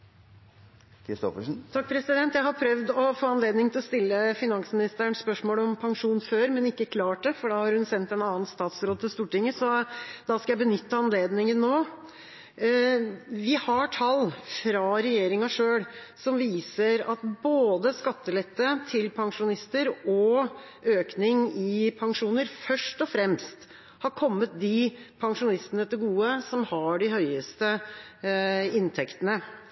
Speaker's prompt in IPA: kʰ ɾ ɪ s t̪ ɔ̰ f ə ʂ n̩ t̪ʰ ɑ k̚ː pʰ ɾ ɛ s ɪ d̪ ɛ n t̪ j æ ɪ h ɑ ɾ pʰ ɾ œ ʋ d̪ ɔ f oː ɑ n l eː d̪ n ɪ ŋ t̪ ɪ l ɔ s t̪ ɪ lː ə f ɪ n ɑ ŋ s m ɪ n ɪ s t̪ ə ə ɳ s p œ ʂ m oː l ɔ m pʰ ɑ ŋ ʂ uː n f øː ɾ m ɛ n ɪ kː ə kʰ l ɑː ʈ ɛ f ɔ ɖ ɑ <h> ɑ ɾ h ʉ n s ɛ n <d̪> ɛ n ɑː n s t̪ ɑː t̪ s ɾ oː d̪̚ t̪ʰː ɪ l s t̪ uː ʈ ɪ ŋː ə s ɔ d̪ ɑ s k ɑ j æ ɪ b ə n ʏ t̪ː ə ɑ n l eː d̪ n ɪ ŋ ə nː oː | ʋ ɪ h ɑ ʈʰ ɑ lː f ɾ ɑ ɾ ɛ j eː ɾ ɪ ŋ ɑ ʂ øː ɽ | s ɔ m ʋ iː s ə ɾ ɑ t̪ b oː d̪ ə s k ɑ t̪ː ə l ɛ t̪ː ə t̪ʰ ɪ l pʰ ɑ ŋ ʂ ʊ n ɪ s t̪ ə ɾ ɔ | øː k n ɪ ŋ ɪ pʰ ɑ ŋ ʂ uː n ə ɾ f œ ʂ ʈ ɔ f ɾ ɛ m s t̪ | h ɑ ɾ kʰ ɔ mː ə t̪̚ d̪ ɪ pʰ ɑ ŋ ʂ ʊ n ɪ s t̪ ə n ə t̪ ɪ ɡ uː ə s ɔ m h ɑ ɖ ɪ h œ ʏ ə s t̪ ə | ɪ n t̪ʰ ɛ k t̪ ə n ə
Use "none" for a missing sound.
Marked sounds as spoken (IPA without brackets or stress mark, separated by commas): h, t̪